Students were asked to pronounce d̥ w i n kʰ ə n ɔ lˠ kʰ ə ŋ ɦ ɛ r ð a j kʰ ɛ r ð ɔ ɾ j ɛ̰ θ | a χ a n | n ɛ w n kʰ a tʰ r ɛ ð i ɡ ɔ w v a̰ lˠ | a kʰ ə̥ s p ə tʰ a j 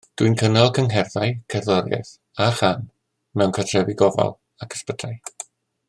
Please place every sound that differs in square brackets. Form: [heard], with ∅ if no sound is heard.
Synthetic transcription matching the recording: d̥ w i n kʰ ə n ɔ lˠ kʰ ə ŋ ɦ ɛ r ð a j kʰ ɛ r ð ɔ ɾ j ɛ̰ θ | a χ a n | [m] ɛ w n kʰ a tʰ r ɛ [v] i ɡ ɔ [∅] v a̰ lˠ | a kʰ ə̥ s p ə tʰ a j

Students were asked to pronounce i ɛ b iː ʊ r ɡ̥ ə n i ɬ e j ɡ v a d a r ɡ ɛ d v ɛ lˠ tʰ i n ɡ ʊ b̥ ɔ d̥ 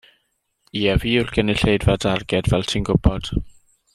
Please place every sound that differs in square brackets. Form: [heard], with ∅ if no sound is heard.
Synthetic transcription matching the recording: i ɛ [v] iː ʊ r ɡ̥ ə n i ɬ e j [d] v a d a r ɡ ɛ d v ɛ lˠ tʰ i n ɡ ʊ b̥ ɔ d̥

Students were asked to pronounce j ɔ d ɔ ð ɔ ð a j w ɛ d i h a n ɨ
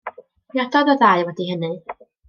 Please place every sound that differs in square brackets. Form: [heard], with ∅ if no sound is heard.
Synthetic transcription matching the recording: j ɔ d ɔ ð ɔ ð a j w ɛ d i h [ə] n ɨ

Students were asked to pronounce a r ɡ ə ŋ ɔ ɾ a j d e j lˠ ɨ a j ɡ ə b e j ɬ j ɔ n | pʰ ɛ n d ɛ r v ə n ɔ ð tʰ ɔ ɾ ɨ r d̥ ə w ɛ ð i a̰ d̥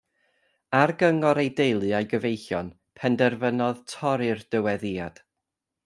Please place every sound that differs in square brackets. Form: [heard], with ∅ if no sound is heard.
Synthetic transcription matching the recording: a r ɡ ə ŋ ɔ ɾ [e] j d e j lˠ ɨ a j ɡ ə [v] e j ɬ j ɔ n | pʰ ɛ n d ɛ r v ə n ɔ ð tʰ ɔ ɾ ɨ r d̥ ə w ɛ ð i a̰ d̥

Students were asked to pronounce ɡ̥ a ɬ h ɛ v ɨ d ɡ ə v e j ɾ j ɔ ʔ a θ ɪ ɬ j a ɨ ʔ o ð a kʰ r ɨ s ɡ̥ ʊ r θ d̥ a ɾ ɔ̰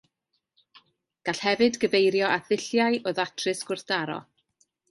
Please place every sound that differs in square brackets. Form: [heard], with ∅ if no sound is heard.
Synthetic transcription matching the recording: ɡ̥ a ɬ h ɛ v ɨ d ɡ ə v e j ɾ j ɔ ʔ a θ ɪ ɬ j a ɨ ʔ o ð a [tʰ] r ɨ s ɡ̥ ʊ r θ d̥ a ɾ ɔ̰

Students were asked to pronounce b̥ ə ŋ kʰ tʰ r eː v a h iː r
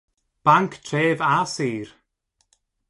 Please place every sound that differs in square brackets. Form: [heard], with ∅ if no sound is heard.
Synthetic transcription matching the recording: b̥ [a] ŋ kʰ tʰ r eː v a [s] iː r

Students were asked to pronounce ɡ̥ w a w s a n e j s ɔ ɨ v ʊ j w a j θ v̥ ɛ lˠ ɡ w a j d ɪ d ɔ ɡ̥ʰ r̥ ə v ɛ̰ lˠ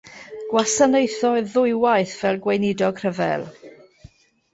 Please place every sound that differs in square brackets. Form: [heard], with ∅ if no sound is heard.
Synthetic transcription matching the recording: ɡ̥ w a [∅] s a n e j [θ] ɔ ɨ [ð] ʊ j w a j θ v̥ ɛ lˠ ɡ w [e] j [n] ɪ d ɔ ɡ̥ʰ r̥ ə v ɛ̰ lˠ

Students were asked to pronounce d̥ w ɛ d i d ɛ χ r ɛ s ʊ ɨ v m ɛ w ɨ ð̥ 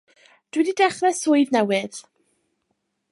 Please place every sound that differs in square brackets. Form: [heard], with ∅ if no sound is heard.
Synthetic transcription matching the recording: d̥ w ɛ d i d ɛ χ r ɛ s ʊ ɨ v [n] ɛ w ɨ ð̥

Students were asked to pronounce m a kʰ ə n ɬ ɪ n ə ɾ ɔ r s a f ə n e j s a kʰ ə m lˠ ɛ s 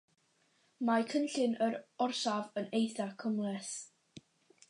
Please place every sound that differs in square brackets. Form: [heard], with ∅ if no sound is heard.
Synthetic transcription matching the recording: m a kʰ ə n ɬ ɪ n ə ɾ ɔ r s a [v] ə n e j [θ] a kʰ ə m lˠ ɛ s

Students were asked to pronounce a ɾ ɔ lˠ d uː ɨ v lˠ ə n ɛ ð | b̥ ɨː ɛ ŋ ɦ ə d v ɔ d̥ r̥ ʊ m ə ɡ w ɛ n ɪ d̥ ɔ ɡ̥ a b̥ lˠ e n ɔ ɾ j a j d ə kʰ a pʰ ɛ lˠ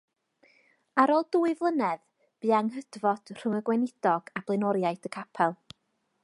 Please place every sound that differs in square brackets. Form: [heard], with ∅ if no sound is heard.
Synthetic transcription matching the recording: a ɾ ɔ lˠ d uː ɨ v lˠ ə n ɛ ð | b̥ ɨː [a] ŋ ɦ ə d v ɔ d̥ r̥ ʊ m ə ɡ w ɛ n ɪ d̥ ɔ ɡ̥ a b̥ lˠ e n ɔ ɾ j a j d ə kʰ a pʰ ɛ lˠ

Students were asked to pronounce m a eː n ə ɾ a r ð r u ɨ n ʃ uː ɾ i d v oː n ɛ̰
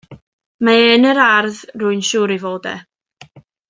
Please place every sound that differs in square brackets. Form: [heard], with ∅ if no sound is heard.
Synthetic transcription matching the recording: m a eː n ə ɾ a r ð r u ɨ n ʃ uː ɾ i [∅] v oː [d] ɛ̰

